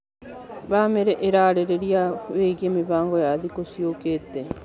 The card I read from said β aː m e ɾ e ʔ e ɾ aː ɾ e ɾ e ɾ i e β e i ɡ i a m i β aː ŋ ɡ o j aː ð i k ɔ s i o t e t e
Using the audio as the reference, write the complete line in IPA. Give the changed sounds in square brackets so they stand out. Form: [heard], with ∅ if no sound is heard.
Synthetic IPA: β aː m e ɾ e ʔ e ɾ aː ɾ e ɾ e ɾ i [a] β e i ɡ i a m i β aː ŋ ɡ o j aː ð i k [o] s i o [k] e t e